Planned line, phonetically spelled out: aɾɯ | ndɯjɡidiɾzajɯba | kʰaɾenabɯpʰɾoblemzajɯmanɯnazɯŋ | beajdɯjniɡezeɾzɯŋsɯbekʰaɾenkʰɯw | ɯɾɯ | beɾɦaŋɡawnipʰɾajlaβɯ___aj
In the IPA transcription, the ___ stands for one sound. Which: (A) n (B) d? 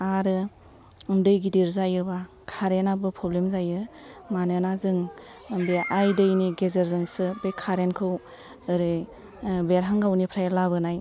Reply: A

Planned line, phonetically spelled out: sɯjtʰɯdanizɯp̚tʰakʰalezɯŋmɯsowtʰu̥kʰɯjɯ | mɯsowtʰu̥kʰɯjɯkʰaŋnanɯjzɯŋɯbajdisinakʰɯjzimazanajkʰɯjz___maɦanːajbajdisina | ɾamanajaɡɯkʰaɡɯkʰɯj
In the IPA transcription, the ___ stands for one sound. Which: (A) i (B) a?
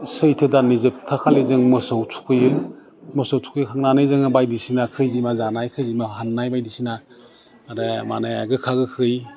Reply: A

